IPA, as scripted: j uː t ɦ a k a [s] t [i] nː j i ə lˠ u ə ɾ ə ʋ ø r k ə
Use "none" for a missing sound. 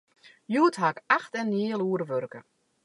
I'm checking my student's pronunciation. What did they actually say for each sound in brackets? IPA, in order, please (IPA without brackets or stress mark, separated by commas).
x, ɛ